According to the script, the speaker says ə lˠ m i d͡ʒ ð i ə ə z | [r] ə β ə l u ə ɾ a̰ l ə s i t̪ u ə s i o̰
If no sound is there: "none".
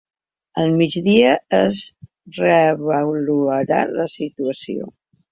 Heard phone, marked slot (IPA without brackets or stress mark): r